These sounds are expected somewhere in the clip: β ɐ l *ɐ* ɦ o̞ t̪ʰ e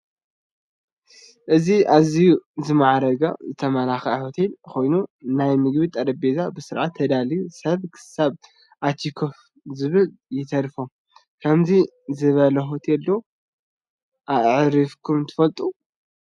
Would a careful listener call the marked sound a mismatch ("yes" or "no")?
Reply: no